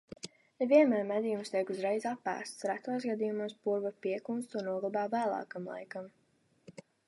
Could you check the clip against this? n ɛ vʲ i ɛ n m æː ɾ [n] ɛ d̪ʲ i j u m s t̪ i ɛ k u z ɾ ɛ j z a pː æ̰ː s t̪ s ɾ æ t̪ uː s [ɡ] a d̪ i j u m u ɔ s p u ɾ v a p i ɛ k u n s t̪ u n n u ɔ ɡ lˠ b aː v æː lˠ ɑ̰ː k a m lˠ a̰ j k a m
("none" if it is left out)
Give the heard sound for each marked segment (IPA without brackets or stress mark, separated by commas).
m, ɡ